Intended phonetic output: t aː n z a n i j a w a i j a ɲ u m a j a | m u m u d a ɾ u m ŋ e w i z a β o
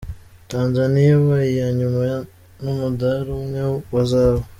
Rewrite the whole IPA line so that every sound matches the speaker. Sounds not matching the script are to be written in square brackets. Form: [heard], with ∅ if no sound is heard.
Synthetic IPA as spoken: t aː n z a n i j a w a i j a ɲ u m a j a | [n] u m u d a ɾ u m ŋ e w [a] z a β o